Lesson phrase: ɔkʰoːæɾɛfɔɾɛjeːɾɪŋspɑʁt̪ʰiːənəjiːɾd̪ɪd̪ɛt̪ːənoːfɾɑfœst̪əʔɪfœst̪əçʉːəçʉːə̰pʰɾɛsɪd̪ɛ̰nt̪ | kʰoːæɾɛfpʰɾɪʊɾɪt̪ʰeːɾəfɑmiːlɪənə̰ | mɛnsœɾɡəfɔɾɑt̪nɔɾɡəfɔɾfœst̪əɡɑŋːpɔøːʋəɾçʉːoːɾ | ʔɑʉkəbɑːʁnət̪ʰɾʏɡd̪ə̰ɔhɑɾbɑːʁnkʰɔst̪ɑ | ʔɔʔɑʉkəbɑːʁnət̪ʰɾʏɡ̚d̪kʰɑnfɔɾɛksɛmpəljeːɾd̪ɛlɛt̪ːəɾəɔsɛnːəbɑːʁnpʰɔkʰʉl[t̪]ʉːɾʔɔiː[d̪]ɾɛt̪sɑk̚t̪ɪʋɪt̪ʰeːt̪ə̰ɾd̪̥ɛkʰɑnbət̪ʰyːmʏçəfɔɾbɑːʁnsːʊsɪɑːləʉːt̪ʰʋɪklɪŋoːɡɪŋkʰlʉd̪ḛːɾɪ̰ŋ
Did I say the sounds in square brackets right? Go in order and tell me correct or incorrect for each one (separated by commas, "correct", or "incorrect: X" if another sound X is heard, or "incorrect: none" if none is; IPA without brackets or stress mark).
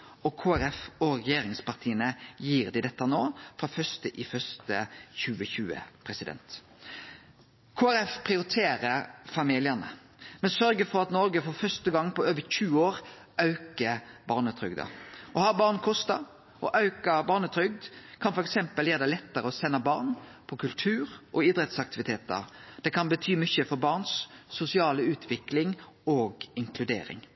incorrect: t̪ʰ, correct